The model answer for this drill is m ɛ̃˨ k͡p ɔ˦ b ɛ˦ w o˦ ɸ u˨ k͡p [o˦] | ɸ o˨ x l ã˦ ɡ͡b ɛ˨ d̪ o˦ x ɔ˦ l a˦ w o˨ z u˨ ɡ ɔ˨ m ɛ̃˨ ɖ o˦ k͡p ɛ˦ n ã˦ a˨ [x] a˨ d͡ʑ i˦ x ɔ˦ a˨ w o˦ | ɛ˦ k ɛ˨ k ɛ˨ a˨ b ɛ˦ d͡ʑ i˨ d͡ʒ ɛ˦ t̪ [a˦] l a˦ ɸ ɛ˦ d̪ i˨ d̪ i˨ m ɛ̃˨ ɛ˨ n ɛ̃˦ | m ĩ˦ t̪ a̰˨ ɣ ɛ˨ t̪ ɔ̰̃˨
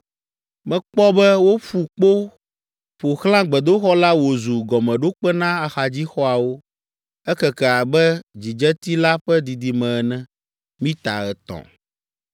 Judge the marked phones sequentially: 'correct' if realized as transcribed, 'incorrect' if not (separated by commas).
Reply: correct, correct, incorrect